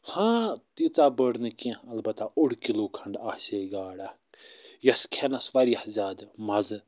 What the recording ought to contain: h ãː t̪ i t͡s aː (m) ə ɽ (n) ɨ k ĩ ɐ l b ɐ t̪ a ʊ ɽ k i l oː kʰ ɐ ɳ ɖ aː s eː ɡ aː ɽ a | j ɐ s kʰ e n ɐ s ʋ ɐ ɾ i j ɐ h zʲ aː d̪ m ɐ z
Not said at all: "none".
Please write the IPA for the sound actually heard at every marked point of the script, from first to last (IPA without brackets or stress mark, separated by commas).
b, n